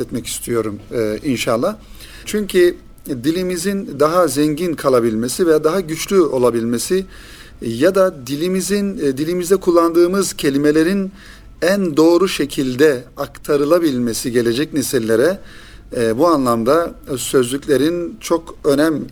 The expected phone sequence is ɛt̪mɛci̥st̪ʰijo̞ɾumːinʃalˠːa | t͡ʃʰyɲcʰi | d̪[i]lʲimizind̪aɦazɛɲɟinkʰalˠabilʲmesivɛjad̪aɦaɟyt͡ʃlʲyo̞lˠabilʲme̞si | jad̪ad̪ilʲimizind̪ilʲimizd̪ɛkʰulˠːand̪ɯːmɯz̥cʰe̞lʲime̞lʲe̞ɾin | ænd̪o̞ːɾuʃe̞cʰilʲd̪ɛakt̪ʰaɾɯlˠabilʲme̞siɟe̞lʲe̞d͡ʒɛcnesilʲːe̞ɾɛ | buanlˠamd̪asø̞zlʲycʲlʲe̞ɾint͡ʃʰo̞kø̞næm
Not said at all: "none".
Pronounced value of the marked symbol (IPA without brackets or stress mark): i